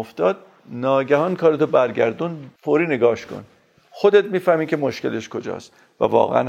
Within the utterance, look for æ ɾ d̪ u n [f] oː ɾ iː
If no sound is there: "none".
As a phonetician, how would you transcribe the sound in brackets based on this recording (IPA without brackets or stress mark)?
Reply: f